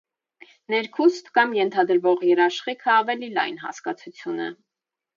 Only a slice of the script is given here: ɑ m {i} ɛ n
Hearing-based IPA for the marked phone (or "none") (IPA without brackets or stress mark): j